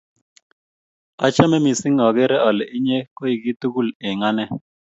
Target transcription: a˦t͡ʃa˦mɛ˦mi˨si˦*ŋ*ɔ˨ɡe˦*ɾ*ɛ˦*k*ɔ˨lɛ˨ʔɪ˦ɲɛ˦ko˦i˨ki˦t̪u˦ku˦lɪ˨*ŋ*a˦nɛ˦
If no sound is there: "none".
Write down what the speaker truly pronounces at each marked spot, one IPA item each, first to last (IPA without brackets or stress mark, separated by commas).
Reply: ŋ, ɾ, none, ŋ